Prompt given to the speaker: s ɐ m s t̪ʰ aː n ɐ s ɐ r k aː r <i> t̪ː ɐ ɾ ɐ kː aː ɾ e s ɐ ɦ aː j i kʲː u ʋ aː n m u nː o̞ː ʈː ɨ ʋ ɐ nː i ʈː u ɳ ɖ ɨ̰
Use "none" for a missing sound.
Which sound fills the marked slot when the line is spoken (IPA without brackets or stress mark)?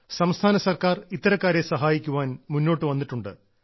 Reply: i